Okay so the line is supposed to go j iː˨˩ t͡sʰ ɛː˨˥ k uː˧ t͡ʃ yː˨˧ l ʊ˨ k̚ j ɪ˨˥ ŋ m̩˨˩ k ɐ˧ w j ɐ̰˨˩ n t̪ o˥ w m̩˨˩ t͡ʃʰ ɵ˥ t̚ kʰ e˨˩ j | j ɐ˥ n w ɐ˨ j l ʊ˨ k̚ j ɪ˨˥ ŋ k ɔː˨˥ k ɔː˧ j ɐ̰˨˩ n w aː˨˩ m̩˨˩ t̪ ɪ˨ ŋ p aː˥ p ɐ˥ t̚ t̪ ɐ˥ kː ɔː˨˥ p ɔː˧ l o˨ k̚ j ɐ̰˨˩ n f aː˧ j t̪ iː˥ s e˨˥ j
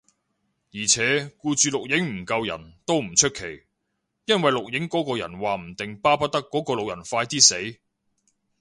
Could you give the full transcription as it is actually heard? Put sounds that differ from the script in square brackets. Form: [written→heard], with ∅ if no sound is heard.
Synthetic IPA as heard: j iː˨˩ t͡sʰ ɛː˨˥ k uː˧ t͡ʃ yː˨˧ l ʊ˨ k̚ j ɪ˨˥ ŋ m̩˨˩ k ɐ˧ w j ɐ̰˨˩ n t̪ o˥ w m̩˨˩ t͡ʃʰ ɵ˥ t̚ kʰ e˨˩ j | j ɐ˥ n w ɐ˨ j l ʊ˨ k̚ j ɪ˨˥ ŋ k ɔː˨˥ k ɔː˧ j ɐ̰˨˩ n w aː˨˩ m̩˨˩ t̪ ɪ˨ ŋ p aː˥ p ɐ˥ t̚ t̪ ɐ˥ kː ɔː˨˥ [p→k] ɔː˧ l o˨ k̚ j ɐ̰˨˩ n f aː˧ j t̪ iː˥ s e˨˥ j